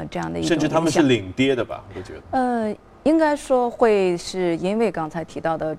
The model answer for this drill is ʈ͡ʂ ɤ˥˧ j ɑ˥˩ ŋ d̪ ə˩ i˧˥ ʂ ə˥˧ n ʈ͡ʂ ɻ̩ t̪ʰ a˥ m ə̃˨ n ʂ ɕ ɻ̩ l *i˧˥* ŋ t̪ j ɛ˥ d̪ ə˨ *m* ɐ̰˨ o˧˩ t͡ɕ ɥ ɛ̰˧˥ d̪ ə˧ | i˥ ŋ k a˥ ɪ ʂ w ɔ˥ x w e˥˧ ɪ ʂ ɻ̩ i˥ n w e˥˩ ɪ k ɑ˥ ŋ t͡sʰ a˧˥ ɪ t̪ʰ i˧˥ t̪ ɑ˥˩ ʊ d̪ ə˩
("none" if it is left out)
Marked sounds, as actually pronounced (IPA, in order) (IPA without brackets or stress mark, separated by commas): i˨˩, b